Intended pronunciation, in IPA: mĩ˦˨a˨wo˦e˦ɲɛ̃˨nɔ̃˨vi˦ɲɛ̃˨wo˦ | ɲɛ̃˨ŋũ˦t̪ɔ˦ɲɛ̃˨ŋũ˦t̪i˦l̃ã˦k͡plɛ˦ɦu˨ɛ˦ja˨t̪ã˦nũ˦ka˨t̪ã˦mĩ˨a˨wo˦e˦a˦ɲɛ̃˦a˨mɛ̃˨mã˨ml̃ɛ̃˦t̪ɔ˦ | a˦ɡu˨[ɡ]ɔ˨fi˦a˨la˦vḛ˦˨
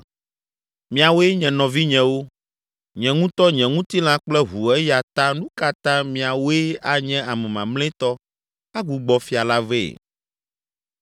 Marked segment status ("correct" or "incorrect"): incorrect